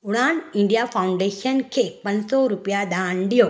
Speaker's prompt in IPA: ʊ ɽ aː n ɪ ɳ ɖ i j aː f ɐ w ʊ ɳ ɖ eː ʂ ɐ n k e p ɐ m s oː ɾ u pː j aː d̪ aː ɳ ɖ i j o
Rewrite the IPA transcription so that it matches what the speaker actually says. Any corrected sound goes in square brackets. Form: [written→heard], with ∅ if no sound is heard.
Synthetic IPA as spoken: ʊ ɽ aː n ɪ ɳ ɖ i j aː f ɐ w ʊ ɳ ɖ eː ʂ ɐ n k e p ɐ [m→n] s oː ɾ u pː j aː d̪ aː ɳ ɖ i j o